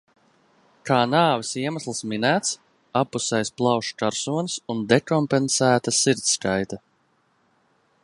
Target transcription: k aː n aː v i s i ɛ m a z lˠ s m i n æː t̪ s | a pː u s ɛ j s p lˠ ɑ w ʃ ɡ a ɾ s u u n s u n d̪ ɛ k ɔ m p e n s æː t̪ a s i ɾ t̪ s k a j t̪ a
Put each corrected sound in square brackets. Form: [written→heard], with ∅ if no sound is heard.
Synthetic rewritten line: k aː n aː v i s i ɛ m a [z→s] lˠ s m i n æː t̪ s | a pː u s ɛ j s p lˠ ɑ w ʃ [ɡ→k] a ɾ s u [u→ɔ] n s u n d̪ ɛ k ɔ m p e n s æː t̪ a s i ɾ t̪ s k a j t̪ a